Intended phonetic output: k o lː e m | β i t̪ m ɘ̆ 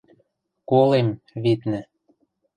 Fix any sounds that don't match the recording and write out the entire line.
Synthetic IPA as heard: k o l e m | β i t̪ n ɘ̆